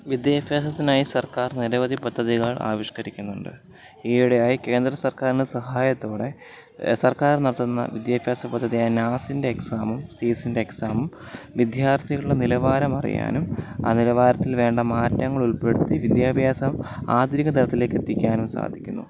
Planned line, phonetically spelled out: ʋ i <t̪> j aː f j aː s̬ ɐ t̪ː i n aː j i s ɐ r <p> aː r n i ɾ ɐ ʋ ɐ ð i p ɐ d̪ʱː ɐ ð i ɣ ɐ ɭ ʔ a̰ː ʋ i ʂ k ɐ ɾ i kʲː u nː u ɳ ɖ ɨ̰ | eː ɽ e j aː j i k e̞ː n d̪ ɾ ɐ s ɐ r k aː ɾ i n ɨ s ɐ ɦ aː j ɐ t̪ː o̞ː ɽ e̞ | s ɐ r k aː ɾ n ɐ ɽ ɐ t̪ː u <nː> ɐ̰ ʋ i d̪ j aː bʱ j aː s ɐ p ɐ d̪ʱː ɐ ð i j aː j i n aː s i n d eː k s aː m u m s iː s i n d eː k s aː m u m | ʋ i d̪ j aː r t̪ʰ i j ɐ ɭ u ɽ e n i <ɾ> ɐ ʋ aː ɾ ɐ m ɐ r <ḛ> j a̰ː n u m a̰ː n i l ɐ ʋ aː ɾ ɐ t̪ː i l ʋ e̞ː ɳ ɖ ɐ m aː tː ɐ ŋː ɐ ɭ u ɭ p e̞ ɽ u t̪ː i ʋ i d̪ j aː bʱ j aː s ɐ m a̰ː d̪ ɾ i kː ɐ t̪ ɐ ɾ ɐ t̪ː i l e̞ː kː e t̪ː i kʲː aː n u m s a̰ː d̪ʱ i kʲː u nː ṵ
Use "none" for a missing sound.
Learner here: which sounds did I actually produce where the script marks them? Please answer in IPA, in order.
d̪, k, nː, l, ḭ

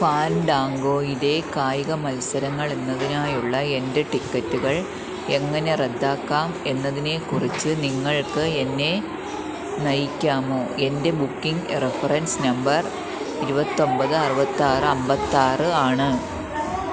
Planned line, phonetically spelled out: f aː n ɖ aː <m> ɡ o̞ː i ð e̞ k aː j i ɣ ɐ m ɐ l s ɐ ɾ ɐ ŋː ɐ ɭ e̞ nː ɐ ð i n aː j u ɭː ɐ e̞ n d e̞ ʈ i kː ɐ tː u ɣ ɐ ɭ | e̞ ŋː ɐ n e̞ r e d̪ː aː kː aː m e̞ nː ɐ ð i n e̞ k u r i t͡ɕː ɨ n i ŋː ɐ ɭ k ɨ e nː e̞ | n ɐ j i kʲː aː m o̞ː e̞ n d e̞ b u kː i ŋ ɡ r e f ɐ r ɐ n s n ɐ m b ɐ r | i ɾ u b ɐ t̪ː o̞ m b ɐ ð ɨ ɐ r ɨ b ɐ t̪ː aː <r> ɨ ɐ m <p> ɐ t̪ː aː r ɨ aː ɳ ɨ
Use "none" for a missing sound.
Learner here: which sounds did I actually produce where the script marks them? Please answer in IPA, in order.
ŋ, r, b

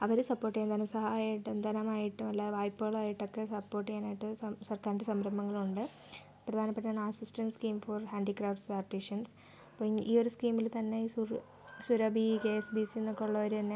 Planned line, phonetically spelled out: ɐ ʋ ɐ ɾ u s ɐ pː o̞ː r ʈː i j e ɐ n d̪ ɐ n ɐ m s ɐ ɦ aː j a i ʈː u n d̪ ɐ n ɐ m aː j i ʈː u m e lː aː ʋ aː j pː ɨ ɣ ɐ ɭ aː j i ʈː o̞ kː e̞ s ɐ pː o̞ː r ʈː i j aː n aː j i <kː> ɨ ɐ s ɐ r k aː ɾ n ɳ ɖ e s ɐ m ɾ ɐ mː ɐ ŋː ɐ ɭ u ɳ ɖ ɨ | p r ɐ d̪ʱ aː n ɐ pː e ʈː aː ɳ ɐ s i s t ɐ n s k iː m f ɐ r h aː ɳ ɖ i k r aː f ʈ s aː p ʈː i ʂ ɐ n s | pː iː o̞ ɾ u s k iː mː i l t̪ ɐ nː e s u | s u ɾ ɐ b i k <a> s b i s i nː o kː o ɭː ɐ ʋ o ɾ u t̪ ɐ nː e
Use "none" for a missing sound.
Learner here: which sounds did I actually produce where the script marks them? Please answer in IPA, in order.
ʈː, e

